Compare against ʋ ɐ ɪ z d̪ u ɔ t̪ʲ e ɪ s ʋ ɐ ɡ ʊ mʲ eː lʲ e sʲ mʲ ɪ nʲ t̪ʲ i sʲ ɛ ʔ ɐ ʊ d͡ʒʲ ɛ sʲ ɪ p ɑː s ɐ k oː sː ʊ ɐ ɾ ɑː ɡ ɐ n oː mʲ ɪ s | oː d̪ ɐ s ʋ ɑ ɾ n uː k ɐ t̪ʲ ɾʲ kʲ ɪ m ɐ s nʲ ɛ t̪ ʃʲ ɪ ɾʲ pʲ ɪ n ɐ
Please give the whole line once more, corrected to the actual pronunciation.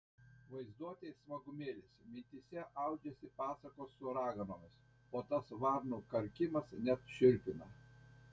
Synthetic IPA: ʋ ɐ ɪ z d̪ u ɔ t̪ʲ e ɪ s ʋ ɐ ɡ ʊ mʲ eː lʲ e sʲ mʲ ɪ nʲ t̪ʲ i sʲ ɛ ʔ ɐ ʊ d͡ʒʲ ɛ sʲ ɪ p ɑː s ɐ k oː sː ʊ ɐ ɾ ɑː ɡ ɐ n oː mʲ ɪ s | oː t̪ ɐ s ʋ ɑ ɾ n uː k ɐ ɾʲ kʲ ɪ m ɐ s nʲ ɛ t̪ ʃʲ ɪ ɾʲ pʲ ɪ n ɐ